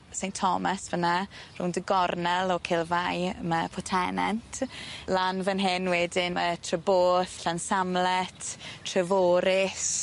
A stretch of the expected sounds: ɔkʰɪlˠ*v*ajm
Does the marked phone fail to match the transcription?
no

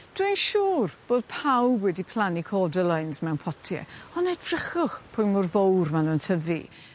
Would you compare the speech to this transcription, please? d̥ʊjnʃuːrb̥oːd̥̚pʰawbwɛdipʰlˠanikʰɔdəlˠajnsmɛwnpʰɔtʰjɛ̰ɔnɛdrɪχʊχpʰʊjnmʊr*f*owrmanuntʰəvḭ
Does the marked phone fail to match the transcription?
yes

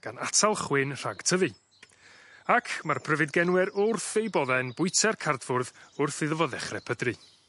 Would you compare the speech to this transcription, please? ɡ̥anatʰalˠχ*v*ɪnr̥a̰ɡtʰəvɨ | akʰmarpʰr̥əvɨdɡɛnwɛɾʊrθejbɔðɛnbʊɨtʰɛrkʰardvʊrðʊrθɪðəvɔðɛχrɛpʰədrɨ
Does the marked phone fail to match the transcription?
yes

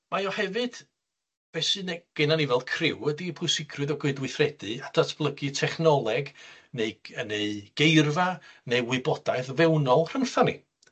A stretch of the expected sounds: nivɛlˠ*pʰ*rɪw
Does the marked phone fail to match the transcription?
yes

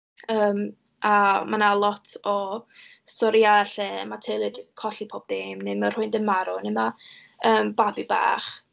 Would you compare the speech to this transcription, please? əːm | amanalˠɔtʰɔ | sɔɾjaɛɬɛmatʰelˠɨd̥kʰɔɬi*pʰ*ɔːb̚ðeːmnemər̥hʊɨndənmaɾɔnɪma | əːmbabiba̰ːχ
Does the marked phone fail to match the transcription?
no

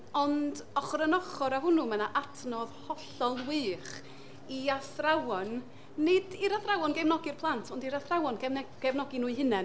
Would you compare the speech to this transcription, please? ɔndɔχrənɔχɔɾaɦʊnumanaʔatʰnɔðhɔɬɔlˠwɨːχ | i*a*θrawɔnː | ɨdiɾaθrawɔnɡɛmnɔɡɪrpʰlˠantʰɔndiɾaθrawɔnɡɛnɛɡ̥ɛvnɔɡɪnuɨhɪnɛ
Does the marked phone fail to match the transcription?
no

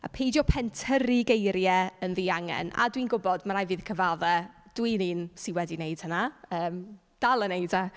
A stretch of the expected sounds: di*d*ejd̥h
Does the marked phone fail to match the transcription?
yes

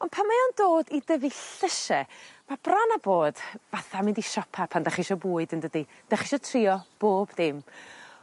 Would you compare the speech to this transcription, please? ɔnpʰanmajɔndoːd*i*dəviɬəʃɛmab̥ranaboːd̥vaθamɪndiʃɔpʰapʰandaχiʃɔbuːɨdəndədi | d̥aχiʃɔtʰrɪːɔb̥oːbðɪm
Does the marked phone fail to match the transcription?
no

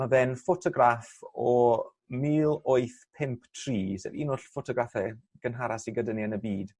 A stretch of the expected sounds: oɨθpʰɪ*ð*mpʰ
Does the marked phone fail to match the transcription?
yes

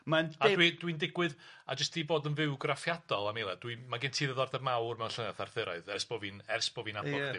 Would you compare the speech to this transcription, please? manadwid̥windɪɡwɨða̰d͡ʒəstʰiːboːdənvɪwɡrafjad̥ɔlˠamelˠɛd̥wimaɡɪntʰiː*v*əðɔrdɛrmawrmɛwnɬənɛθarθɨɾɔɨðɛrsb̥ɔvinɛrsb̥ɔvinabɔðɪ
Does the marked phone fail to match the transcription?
yes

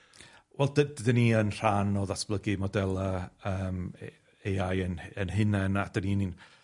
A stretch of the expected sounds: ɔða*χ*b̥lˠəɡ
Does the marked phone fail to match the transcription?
yes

